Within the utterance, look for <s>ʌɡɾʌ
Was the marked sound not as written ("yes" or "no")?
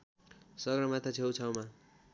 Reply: no